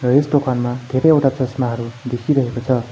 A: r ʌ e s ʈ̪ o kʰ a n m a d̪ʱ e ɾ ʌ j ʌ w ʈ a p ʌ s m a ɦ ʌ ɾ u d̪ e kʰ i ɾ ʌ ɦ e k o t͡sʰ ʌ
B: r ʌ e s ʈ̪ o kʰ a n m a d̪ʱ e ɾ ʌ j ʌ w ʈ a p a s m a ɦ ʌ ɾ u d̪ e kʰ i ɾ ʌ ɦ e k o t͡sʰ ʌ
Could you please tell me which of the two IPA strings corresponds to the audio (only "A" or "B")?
A